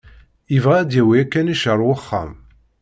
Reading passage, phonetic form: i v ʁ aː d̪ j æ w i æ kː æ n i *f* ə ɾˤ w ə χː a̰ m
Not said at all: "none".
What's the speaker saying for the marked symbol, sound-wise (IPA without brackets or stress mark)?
ʃ